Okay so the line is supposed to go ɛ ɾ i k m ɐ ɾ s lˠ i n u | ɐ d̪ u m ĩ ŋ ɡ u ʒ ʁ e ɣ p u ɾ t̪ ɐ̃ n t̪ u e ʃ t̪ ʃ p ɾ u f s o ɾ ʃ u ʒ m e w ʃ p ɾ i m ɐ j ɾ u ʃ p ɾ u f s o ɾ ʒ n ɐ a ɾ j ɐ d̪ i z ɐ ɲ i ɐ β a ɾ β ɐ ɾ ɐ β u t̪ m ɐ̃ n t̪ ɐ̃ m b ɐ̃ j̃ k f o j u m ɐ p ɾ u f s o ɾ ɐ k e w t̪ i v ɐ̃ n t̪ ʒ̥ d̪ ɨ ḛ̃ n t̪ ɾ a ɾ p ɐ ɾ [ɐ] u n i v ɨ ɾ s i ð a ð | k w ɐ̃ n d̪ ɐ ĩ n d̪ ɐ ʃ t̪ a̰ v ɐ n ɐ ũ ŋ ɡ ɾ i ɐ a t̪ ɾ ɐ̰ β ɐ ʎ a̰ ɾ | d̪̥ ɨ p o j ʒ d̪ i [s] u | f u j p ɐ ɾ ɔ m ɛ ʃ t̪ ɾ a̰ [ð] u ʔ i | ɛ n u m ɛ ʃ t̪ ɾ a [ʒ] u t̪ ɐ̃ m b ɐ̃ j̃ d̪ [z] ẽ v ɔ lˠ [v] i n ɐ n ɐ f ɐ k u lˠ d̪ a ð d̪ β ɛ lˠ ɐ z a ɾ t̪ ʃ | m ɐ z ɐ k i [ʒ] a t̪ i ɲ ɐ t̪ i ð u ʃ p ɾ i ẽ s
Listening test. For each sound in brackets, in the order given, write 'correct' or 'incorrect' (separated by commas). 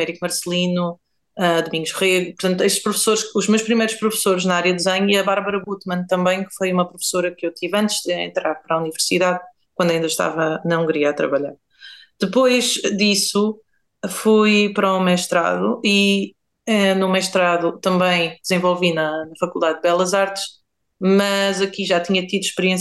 incorrect, correct, correct, incorrect, correct, correct, correct